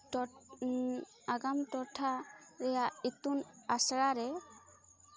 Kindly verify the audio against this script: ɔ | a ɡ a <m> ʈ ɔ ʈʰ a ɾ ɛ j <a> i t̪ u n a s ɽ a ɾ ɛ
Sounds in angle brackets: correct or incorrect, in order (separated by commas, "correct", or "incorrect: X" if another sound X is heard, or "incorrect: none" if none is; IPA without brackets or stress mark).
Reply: correct, correct